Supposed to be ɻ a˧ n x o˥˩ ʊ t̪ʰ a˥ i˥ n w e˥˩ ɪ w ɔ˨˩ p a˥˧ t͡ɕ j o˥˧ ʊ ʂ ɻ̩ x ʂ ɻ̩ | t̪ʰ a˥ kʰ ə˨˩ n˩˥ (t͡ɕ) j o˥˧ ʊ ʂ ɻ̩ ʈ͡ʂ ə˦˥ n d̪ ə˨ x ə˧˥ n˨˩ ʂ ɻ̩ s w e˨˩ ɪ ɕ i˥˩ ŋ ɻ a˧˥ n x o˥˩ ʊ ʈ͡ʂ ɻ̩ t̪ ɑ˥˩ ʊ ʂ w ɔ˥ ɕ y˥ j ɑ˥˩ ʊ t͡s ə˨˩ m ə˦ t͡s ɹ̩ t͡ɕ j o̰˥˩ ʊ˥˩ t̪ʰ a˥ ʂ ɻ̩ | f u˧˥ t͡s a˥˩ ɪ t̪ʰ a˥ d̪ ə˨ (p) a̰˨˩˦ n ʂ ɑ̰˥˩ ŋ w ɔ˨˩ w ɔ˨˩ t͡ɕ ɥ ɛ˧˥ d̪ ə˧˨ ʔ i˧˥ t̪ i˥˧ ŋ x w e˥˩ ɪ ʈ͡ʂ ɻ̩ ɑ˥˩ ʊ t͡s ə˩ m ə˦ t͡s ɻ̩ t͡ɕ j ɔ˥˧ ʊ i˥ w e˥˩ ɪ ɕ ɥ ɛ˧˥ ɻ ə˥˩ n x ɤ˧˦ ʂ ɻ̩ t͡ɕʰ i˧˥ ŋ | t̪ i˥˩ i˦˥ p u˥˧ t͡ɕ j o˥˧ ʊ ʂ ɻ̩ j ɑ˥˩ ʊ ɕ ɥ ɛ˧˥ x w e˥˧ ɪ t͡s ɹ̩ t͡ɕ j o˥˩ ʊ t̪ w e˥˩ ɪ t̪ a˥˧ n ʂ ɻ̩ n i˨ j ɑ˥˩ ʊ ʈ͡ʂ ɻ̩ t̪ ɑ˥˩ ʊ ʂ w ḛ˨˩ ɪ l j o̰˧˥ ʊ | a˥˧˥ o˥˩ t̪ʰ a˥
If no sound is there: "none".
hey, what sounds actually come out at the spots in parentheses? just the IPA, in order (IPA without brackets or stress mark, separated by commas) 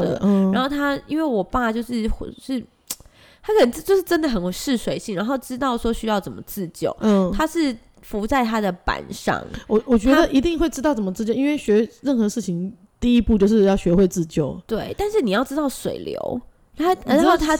t͡ɕ, p